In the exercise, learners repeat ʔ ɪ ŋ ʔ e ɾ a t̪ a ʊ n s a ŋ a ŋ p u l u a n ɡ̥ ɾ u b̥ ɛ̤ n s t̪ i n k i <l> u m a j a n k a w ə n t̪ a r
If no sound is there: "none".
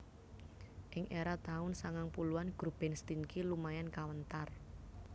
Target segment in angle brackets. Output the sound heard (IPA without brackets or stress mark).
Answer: l